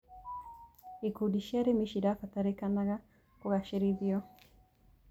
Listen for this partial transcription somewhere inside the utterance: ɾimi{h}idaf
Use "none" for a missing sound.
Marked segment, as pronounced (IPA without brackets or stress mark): ʃ